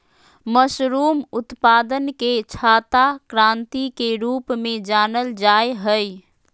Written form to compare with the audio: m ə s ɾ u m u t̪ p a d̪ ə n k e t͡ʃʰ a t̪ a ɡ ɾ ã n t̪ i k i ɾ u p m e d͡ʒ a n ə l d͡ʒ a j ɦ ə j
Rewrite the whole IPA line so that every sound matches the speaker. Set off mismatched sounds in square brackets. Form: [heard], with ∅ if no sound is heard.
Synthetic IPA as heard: m ə s ɾ u m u t̪ p a d̪ ə n k e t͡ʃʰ a t̪ a [k] ɾ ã n t̪ i k [e] ɾ u p m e d͡ʒ a n ə l d͡ʒ a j ɦ ə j